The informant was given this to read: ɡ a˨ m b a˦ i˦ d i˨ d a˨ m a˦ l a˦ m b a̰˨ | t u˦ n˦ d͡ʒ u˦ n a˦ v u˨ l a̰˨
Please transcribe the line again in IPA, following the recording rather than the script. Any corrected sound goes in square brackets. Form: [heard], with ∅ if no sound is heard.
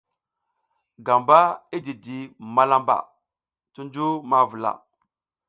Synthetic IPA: ɡ a˨ m b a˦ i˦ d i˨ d [i˨] m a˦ l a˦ m b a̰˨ | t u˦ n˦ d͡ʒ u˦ [m] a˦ v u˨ l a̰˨